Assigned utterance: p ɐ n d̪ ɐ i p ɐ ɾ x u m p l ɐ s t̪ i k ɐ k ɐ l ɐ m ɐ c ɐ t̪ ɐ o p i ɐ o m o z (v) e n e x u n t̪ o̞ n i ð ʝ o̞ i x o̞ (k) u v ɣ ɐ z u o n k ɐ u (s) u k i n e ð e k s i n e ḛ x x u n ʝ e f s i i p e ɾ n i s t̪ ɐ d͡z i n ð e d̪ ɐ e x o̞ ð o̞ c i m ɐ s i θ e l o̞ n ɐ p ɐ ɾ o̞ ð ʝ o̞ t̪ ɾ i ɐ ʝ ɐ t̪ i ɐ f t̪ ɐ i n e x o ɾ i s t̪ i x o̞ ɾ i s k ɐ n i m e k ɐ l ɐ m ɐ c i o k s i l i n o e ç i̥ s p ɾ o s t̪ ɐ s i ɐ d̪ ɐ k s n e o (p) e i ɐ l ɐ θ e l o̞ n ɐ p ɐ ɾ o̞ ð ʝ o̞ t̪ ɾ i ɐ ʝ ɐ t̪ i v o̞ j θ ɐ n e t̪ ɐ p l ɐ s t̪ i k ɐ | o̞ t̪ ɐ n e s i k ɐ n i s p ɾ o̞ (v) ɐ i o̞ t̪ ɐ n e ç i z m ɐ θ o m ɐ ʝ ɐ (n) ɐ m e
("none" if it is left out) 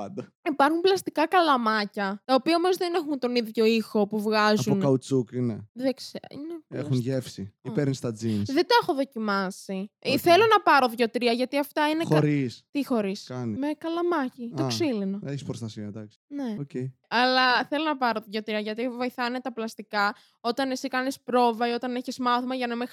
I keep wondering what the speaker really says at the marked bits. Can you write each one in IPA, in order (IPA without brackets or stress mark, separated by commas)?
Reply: ð, p, t͡s, c, v, n